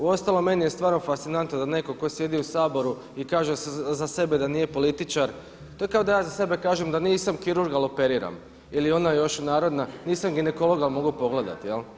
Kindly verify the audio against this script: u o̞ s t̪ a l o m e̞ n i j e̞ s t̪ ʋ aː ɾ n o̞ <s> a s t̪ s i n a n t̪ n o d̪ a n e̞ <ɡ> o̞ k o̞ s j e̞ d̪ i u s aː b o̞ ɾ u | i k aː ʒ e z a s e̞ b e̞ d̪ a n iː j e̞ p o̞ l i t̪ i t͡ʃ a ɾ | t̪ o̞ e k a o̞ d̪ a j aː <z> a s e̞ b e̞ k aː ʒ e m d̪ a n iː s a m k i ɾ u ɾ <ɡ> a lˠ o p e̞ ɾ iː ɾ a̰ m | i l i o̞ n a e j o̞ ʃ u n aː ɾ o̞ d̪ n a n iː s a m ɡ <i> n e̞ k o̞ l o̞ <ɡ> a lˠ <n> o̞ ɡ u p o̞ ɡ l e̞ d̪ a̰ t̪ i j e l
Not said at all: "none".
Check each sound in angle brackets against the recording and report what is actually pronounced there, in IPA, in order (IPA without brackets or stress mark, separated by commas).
f, k, z, ɡ, i, ɡ, m